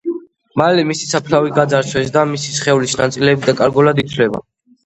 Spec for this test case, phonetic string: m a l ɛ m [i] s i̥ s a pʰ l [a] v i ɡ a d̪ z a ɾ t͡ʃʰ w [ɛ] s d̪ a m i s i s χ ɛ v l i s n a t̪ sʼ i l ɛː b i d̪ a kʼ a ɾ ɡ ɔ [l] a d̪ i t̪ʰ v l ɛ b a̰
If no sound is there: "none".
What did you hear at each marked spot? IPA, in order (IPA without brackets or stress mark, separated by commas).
i, a, ɛ, l